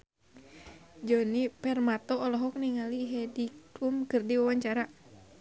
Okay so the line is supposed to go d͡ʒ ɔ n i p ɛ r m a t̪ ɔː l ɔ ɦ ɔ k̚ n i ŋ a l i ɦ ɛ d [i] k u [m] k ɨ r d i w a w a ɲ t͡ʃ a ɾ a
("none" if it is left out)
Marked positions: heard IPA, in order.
i, m

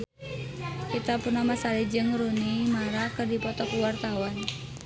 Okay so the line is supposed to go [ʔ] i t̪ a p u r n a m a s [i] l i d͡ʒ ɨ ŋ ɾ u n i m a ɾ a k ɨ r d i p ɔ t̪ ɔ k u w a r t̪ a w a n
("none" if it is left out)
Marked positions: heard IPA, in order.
k, a

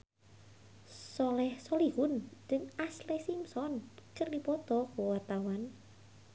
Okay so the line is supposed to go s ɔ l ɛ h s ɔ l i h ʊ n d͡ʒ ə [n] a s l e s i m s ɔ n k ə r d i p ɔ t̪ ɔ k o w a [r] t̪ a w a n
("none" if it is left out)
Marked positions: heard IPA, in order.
ŋ, r

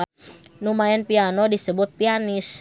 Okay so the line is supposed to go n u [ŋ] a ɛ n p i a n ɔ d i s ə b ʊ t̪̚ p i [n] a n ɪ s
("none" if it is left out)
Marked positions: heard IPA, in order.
m, none

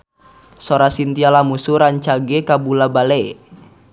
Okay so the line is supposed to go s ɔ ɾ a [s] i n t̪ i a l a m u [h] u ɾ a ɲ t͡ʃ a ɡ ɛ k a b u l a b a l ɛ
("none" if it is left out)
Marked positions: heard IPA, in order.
s, s

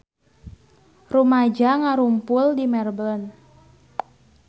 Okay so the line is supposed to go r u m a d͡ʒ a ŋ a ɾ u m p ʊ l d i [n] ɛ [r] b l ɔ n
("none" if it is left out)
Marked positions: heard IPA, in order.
m, r

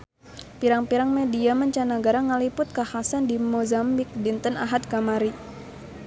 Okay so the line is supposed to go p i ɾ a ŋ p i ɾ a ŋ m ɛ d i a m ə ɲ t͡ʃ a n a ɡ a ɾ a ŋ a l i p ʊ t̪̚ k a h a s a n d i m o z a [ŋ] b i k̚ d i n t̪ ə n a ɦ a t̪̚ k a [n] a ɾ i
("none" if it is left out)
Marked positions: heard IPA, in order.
m, m

